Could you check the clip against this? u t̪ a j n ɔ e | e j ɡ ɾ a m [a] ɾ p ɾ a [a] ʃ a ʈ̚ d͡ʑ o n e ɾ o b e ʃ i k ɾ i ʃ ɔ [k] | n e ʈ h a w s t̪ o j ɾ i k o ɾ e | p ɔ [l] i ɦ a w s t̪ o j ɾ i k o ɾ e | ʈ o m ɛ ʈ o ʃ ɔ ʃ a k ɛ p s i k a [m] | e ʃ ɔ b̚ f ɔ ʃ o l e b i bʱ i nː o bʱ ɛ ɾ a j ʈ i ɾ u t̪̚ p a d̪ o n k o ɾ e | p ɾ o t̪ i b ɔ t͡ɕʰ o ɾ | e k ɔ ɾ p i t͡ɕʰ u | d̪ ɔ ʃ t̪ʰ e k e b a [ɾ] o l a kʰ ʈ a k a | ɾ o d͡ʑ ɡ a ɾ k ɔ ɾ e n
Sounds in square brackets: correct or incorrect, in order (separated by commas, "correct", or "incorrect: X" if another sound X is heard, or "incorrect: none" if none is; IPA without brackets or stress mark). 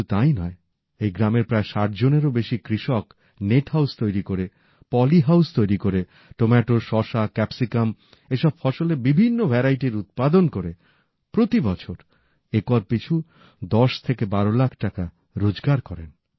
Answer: incorrect: e, incorrect: e, correct, correct, correct, correct